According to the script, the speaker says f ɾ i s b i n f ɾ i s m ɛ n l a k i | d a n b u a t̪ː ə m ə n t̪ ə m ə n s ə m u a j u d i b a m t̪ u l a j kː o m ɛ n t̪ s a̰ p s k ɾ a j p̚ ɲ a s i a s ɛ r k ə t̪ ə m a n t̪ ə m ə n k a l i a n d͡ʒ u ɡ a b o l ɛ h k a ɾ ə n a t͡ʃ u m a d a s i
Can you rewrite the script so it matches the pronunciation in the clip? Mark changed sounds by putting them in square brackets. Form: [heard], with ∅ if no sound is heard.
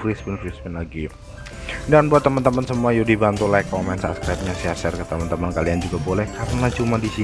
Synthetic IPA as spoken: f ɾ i s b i n f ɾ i s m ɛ n l a [ɡ] i | d a n b u a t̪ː ə m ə n t̪ ə m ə n s ə m u a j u d i b a [n] t̪ u l a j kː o m ɛ n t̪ s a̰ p s k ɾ a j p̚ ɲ a s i a s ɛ r k ə t̪ ə m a n t̪ ə m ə n k a l i a n d͡ʒ u ɡ a b o l ɛ h k a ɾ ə n a t͡ʃ u m a d [i] s i